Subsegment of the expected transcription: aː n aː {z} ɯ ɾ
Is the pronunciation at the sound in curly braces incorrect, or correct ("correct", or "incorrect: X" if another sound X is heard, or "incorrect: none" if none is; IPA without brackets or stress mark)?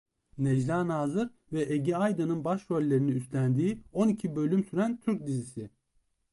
correct